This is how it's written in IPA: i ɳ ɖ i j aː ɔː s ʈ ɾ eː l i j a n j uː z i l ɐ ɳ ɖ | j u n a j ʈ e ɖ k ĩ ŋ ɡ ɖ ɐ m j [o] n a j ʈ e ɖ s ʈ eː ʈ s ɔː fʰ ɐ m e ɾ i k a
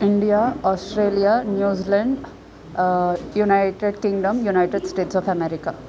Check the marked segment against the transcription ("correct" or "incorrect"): incorrect